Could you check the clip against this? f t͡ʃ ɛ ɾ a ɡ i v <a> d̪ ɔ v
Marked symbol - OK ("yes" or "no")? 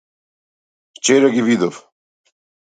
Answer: no